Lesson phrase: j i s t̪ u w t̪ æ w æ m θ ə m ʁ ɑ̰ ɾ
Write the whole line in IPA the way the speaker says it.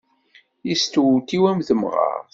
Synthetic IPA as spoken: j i s t̪ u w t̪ i w æ m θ ə m ʁ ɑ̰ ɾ